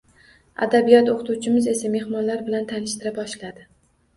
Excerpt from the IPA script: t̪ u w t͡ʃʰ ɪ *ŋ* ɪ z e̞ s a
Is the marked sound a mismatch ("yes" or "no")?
yes